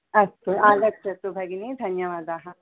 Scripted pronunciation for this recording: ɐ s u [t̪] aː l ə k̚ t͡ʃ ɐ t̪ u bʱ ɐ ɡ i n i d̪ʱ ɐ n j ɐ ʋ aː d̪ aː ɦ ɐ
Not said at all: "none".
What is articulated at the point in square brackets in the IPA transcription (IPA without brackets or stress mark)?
none